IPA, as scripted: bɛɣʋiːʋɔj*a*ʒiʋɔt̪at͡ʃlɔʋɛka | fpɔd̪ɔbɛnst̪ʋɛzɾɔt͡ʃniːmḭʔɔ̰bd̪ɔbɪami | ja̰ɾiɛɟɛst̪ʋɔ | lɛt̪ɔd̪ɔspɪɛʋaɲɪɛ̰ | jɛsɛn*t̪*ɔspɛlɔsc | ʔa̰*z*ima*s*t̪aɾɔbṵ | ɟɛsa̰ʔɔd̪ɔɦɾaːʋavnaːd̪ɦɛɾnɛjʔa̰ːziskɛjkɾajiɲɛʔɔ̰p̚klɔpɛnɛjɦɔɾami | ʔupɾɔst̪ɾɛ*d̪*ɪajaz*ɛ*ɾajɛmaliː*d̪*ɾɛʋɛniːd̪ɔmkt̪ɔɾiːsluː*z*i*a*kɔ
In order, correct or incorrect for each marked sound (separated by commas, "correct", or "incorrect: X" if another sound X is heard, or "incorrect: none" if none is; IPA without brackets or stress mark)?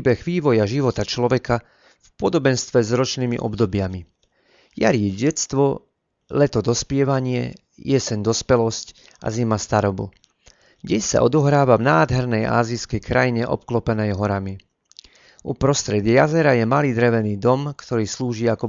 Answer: correct, incorrect: d̪, correct, correct, correct, correct, correct, incorrect: ʒ, correct